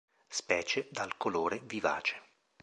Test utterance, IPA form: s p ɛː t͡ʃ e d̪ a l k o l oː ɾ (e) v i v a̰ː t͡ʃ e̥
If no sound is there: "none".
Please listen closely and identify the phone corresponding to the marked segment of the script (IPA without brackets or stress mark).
e